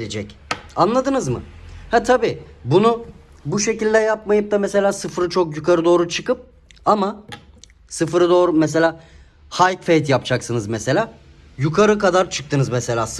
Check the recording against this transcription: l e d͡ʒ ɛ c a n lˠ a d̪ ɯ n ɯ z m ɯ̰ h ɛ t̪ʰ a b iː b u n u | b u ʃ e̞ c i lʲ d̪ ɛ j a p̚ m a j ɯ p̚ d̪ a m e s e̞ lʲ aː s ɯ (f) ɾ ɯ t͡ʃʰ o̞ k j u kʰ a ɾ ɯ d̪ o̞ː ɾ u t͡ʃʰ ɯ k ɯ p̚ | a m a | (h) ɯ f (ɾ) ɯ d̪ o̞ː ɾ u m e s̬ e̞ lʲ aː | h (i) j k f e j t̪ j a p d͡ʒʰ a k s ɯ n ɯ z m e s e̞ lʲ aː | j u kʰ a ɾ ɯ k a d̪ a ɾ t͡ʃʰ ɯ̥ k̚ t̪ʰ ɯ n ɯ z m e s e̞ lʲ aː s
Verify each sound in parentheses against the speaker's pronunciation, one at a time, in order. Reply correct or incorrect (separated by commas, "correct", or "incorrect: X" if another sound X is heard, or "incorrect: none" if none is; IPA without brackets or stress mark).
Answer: correct, incorrect: s, correct, incorrect: a